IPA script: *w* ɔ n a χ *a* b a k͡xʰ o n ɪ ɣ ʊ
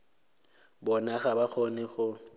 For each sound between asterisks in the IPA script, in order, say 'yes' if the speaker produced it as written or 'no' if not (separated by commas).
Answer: no, yes